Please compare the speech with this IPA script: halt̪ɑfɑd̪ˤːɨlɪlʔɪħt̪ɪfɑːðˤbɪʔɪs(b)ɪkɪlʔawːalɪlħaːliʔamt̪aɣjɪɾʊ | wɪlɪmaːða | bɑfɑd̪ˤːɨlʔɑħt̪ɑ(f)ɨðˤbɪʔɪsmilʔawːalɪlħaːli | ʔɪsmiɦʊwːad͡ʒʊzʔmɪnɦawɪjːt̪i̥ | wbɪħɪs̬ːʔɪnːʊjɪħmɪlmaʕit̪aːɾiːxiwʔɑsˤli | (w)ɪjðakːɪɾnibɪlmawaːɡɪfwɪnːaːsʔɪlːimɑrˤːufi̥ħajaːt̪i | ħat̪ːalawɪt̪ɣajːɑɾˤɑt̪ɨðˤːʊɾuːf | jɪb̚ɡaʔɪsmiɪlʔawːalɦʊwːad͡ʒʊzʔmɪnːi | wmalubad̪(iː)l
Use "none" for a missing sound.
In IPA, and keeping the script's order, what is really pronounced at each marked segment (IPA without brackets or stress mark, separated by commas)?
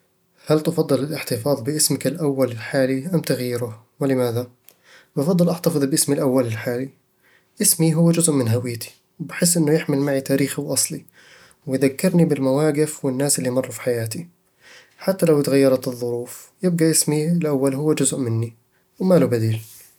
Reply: m, f, w, iː